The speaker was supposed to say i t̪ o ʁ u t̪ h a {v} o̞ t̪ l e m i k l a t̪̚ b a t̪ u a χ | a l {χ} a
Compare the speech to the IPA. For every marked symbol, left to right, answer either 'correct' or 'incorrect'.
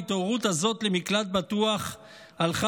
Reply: incorrect: z, correct

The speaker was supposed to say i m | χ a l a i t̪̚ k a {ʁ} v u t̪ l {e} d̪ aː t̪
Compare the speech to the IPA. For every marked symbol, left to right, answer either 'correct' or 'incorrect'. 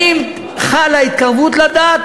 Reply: correct, incorrect: a

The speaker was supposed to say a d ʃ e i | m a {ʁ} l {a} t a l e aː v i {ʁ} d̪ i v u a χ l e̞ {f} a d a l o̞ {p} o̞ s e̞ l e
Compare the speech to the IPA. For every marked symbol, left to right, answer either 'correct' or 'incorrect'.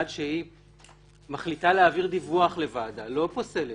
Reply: incorrect: χ, incorrect: i, correct, incorrect: v, correct

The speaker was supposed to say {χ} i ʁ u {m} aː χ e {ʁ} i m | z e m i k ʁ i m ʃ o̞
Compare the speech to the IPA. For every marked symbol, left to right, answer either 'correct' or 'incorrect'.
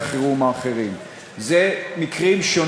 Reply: correct, correct, correct

